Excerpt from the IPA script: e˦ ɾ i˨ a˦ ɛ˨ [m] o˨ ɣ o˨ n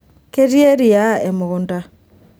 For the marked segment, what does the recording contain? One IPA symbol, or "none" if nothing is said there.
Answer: m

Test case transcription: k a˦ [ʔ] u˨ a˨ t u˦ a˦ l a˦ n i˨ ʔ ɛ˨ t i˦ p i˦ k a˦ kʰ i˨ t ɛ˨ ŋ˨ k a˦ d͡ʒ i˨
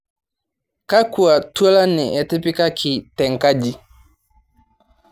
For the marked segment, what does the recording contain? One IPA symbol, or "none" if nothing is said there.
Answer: k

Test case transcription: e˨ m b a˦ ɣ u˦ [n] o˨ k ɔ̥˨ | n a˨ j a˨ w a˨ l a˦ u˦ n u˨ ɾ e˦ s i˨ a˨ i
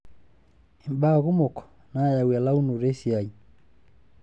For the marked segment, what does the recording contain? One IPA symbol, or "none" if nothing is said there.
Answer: m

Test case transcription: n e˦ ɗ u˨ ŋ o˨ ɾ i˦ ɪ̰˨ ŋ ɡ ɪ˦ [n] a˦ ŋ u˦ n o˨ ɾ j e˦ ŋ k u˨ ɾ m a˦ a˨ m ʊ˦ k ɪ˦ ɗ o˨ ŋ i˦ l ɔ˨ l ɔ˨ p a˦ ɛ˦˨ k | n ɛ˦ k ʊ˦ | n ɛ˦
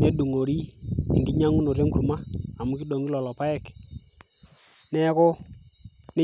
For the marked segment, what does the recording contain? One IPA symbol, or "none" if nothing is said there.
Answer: ɲ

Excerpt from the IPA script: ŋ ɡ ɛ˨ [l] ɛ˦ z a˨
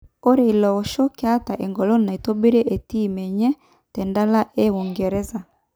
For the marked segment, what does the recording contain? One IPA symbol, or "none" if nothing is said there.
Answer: ɾ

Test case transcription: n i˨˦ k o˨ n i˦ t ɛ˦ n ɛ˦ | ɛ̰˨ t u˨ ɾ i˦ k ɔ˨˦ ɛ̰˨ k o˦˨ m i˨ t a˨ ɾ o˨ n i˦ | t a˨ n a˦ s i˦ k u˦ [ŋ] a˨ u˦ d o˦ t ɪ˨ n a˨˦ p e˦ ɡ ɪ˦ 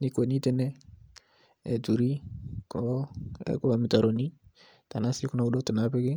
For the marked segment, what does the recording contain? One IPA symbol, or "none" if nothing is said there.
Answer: n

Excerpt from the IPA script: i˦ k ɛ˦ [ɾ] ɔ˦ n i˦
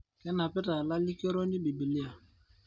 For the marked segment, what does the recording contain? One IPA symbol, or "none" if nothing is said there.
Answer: ɾ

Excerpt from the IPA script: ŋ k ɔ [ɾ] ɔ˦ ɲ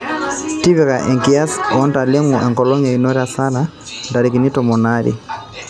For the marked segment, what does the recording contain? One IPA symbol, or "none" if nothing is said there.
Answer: l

